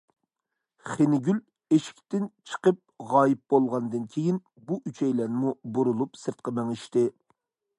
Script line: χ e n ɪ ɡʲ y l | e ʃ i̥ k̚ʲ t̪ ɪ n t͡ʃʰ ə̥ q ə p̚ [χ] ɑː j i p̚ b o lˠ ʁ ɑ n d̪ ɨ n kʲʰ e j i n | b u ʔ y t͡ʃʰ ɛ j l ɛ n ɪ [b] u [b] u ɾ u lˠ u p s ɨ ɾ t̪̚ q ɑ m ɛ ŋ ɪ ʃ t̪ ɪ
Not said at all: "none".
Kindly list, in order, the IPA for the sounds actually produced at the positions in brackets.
ʁ, m, b

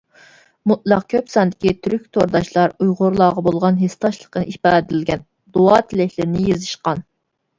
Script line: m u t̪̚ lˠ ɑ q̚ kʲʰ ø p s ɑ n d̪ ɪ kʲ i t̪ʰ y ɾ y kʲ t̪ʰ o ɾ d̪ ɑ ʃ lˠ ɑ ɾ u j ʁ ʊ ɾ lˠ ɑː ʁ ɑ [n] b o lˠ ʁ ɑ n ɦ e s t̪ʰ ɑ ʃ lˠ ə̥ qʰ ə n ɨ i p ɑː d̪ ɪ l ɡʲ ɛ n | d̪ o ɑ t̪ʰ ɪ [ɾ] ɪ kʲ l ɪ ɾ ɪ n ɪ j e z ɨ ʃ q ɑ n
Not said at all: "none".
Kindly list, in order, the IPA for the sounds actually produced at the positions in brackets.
none, l

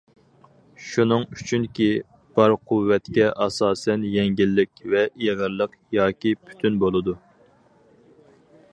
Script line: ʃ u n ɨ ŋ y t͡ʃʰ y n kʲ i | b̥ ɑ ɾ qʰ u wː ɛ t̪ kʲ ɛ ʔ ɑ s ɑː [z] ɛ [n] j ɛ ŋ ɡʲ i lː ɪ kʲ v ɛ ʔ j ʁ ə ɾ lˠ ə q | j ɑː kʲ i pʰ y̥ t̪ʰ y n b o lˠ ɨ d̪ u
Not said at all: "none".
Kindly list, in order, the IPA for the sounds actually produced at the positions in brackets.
s, n

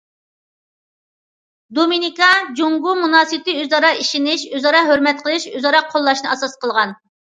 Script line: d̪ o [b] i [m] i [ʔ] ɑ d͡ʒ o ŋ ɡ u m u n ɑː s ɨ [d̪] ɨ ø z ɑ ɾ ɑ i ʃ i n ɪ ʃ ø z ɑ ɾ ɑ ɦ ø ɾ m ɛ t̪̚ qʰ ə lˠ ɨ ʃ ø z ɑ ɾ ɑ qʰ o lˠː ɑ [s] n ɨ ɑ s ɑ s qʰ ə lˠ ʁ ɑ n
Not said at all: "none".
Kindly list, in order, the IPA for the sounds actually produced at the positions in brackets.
m, n, k, t̪, ʃ

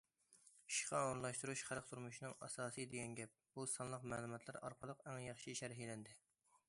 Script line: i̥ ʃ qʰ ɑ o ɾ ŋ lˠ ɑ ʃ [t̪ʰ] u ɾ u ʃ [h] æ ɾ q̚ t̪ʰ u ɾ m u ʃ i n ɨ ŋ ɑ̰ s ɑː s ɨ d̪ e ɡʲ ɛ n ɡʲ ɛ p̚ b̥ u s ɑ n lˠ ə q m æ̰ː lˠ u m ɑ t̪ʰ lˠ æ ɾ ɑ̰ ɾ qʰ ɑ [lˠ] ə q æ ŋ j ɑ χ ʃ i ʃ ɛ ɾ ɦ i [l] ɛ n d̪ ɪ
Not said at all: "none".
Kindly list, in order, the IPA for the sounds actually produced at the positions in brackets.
t̪, χ, lˠ, l

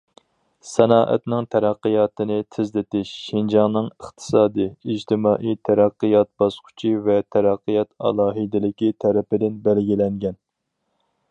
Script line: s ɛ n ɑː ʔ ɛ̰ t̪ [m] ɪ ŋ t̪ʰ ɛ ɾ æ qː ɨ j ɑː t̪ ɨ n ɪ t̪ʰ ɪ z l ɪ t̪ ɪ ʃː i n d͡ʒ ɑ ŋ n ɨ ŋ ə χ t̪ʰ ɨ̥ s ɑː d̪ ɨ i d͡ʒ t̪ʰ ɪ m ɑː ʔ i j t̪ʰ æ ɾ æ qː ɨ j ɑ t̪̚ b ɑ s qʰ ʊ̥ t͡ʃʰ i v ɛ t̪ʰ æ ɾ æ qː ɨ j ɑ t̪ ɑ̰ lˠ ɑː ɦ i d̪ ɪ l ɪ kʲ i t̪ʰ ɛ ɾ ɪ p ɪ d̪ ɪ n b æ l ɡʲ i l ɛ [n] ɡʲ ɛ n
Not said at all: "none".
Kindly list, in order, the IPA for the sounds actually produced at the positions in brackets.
n, ŋ

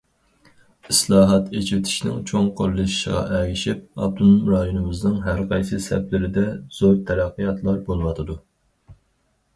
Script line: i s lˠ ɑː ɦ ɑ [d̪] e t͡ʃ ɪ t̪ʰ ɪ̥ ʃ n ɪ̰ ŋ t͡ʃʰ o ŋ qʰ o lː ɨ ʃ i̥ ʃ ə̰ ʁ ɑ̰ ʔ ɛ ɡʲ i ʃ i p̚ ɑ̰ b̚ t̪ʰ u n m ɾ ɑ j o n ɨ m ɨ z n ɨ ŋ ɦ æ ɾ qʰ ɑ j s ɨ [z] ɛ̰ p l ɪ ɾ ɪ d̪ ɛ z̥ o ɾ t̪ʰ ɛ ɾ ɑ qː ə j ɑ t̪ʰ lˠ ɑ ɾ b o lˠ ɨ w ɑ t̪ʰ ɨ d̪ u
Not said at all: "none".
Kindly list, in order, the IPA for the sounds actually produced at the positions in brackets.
t̪, s

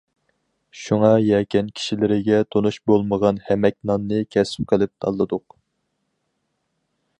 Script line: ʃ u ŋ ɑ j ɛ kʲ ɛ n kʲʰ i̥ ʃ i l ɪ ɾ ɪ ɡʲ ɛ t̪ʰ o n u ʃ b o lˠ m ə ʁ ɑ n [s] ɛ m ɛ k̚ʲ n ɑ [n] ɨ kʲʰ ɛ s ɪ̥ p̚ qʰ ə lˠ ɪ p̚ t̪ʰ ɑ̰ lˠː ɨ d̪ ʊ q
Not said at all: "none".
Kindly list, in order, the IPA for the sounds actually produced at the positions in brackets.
h, nː

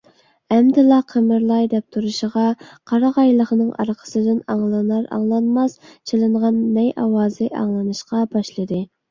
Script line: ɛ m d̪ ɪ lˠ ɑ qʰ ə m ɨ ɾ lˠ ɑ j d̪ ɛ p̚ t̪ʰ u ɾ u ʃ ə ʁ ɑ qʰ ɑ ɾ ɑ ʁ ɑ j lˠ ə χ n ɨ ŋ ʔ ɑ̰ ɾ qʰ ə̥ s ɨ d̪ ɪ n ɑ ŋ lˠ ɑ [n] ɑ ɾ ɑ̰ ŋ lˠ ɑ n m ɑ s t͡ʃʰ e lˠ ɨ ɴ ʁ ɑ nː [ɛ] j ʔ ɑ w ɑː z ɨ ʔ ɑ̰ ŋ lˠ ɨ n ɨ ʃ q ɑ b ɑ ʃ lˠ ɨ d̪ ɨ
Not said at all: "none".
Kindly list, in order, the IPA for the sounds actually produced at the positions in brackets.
n, ɛ

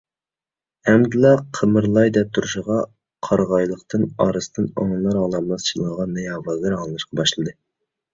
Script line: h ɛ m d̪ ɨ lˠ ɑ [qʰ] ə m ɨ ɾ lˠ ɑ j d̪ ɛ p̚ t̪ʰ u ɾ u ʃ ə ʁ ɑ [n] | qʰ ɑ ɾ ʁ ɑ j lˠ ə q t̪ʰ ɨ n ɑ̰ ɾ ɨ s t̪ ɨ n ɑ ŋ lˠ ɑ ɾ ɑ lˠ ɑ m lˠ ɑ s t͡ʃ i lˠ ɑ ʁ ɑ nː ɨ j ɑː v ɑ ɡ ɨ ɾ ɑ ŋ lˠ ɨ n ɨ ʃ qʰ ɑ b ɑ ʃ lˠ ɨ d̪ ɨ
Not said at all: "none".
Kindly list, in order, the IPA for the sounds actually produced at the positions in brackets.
qʰ, none

